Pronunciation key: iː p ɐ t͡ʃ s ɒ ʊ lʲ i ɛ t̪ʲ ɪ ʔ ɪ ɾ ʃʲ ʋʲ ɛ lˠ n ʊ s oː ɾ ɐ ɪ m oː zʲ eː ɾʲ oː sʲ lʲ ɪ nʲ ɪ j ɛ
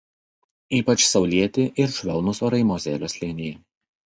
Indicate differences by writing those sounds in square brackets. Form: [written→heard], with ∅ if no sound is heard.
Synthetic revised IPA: iː p ɐ t͡ʃ s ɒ ʊ lʲ i ɛ t̪ʲ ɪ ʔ ɪ ɾ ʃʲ ʋʲ ɛ lˠ n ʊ s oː ɾ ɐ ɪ m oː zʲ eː [ɾʲ→lʲ] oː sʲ lʲ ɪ nʲ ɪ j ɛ